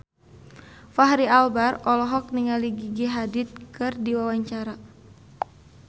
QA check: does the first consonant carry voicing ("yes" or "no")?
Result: no